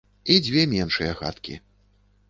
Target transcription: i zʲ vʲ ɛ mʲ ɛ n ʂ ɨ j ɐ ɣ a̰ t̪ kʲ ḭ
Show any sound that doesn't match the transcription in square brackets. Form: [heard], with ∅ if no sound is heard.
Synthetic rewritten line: i [d͡zʲ] vʲ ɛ mʲ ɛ n ʂ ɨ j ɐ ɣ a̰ t̪ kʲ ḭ